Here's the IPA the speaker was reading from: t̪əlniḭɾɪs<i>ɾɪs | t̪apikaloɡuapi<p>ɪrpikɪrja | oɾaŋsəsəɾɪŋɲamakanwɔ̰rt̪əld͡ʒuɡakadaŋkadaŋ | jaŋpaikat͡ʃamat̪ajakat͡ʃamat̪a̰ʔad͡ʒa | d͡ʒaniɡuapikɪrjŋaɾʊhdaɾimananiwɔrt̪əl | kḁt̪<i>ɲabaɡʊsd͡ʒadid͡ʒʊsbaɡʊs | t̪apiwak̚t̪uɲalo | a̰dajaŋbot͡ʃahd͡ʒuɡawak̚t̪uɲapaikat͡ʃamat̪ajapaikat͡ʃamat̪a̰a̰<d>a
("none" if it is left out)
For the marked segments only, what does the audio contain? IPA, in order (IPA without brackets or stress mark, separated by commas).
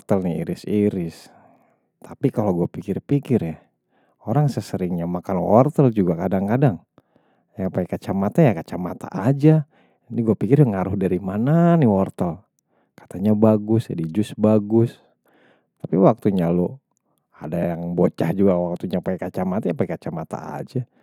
i, k, a, d͡ʒ